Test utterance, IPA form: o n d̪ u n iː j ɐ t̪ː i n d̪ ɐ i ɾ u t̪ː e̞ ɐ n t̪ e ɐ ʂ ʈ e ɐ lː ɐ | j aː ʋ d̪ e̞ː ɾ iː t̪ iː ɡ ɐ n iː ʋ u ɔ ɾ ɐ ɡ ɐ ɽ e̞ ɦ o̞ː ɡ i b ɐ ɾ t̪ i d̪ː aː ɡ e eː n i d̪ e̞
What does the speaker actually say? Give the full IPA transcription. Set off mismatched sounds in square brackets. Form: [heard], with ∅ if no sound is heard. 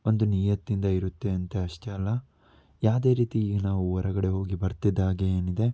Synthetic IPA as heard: o n d̪ u n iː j ɐ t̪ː i n d̪ ɐ i ɾ u t̪ː e̞ ɐ n t̪ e ɐ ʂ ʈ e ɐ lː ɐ | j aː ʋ d̪ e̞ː ɾ iː t̪ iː ɡ ɐ n [aː] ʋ u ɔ ɾ ɐ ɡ ɐ ɽ e̞ ɦ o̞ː ɡ i b ɐ ɾ t̪ i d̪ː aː ɡ e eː n i d̪ e̞